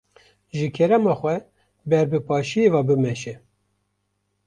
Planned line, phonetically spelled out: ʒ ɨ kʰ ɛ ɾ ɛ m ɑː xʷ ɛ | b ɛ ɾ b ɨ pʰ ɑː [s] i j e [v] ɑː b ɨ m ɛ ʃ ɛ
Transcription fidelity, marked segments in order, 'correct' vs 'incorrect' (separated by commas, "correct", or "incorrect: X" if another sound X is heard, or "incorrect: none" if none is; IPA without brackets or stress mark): incorrect: ʃ, correct